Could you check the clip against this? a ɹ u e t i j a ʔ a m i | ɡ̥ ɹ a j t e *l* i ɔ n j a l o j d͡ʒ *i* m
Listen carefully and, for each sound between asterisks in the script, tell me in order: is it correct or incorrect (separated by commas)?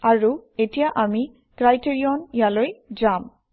incorrect, incorrect